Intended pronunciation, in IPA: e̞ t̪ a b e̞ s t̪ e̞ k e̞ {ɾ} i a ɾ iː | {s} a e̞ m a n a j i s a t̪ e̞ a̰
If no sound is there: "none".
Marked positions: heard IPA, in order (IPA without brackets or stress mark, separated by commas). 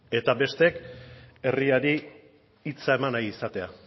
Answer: r, t͡s